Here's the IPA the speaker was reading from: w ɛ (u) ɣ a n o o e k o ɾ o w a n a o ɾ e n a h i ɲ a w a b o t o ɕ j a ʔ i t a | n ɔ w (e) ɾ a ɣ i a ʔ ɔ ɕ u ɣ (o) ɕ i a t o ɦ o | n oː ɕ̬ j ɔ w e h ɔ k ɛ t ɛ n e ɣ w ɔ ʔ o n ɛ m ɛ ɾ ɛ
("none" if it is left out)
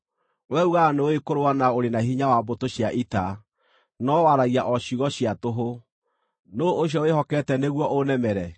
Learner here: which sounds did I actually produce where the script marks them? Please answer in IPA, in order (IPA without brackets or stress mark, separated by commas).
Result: u, a, ɔ